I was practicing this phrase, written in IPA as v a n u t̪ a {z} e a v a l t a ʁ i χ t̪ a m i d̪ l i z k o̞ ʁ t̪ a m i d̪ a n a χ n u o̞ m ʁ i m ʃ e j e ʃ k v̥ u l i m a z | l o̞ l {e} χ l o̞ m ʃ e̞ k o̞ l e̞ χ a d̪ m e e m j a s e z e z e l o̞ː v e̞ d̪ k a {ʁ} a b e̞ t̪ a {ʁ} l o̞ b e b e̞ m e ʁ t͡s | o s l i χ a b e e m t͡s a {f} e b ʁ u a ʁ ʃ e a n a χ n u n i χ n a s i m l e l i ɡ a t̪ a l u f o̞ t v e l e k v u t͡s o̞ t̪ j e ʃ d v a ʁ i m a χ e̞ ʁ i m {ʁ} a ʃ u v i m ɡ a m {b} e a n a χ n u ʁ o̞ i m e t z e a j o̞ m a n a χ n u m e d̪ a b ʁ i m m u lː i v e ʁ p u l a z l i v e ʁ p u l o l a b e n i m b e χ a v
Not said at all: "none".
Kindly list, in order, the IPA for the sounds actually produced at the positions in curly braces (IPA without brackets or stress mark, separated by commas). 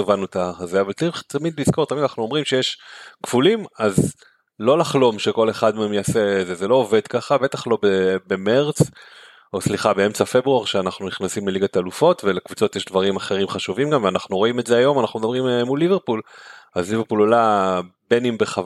z, a, χ, χ, f, χ, v